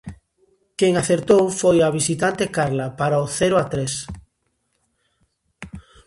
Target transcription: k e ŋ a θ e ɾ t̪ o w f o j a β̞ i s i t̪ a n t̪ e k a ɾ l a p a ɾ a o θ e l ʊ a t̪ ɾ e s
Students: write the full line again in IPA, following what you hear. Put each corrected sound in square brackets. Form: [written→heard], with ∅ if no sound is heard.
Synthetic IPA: k e ŋ a θ e ɾ t̪ o w f o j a β̞ i s i t̪ a n t̪ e k a ɾ l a p a ɾ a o θ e [l→ɾ] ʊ a t̪ ɾ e s